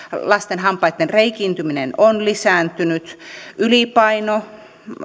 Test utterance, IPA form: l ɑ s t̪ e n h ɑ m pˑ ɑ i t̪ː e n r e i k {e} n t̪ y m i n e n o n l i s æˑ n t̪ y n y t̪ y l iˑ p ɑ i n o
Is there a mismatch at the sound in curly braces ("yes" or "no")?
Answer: yes